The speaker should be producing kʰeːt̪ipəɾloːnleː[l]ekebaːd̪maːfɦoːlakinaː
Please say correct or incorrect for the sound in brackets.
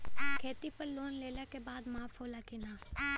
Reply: correct